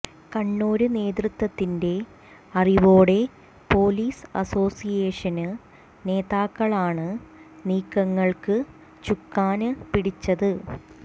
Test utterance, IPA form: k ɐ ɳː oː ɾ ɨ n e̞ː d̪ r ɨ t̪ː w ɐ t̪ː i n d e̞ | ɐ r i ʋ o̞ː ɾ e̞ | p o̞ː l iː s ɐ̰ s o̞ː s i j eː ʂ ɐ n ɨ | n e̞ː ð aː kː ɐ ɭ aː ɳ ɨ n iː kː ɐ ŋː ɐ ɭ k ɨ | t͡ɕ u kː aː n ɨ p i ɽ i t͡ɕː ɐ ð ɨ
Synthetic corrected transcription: k ɐ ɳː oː ɾ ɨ n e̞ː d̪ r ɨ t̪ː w ɐ t̪ː i n d e̞ | ɐ r i ʋ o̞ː ɽ e̞ | p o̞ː l iː s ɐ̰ s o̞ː s i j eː ʂ ɐ n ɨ | n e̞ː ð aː kː ɐ ɭ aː ɳ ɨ n iː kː ɐ ŋː ɐ ɭ k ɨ | t͡ɕ u kː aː n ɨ p i ɽ i t͡ɕː ɐ ð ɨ